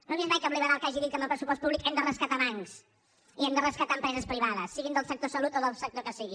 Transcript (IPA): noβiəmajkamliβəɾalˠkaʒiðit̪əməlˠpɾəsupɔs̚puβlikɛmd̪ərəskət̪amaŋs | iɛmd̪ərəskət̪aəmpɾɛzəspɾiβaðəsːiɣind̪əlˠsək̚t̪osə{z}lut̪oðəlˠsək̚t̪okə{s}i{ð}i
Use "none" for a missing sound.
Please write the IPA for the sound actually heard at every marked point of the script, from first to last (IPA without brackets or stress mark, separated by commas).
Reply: none, s, ɣ